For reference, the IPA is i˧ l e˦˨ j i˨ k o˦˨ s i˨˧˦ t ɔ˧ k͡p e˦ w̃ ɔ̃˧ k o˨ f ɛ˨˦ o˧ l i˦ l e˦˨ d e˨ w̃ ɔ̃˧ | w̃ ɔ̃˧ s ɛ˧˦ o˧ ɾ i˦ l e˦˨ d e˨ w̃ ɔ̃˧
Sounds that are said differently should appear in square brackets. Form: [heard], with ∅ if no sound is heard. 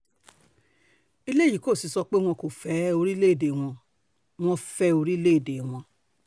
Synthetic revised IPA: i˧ l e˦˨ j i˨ k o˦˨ s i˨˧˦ [s] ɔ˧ k͡p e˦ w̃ ɔ̃˧ k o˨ f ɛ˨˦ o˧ [ɾ] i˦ l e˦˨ d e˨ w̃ ɔ̃˧ | w̃ ɔ̃˧ [f] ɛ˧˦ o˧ ɾ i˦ l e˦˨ d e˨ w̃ ɔ̃˧